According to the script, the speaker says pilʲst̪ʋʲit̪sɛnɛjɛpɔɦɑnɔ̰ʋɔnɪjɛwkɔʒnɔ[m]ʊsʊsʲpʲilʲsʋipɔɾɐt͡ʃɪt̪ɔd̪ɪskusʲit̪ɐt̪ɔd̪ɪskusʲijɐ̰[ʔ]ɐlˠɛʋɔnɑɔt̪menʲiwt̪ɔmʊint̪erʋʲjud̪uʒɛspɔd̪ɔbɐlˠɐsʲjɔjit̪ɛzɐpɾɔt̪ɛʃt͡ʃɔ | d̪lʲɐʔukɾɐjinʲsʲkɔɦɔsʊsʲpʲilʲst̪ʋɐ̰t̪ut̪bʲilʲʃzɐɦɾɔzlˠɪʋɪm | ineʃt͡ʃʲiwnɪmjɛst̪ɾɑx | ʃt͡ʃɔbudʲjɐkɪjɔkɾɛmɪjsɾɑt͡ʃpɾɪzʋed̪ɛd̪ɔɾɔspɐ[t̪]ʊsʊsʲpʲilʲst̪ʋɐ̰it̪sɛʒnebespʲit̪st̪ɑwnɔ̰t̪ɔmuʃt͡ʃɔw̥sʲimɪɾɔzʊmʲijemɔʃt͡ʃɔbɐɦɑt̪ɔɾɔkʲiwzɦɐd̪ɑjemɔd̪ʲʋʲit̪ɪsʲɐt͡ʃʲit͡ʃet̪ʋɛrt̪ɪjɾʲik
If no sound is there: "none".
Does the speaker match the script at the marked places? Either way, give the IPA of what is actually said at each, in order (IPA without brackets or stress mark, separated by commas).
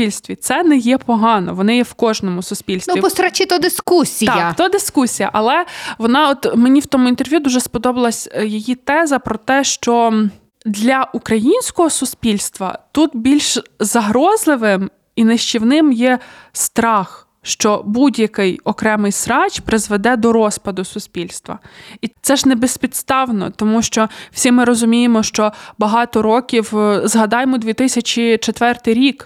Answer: m, ʔ, d̪